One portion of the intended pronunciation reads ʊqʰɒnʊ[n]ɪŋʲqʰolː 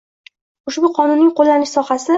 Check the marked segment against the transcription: incorrect: nː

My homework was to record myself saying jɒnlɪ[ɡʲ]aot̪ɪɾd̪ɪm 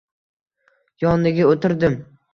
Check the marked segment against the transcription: correct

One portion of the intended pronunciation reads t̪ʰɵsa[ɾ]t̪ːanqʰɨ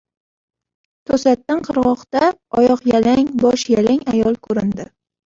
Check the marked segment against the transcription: incorrect: none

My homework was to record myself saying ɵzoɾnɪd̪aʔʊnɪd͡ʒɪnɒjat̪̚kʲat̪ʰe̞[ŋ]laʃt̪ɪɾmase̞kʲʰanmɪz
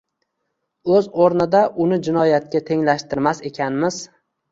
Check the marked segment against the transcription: correct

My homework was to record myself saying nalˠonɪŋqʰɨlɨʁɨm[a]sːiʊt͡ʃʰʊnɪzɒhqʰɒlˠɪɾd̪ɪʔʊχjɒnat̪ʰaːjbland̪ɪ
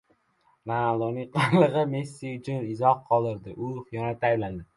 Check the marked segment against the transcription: incorrect: e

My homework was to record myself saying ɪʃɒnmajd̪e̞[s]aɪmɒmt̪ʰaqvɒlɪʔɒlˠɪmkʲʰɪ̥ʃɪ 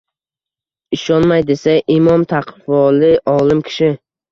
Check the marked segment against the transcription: correct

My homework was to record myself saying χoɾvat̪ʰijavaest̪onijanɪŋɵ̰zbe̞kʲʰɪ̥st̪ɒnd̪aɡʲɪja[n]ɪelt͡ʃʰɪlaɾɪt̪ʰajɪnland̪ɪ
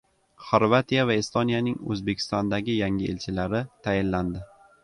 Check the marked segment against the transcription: incorrect: ŋ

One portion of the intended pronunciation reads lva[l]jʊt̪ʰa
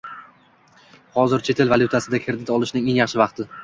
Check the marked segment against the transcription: correct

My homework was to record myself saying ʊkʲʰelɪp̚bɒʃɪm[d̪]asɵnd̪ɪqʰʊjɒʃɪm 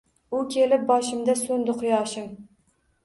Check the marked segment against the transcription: correct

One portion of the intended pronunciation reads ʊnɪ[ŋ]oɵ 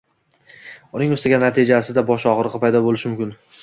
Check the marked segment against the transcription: correct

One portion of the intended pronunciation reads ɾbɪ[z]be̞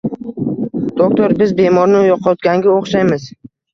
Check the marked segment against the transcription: correct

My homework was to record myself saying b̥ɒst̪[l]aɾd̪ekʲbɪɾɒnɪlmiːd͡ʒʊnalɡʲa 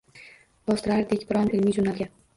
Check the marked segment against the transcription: incorrect: ɾ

